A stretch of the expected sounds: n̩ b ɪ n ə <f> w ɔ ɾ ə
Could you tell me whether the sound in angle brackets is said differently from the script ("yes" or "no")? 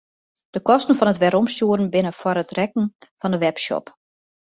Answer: no